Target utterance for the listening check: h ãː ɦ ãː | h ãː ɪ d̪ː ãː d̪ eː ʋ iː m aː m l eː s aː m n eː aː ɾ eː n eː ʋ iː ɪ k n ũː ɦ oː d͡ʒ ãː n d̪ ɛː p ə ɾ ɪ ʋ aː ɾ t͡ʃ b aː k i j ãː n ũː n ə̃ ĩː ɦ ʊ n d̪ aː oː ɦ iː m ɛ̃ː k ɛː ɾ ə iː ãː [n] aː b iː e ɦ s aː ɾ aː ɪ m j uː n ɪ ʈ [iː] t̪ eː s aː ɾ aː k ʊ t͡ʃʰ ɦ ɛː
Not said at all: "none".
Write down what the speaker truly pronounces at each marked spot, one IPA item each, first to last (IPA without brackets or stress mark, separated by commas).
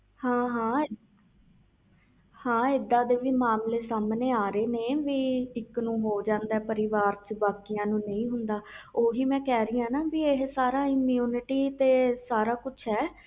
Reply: n, iː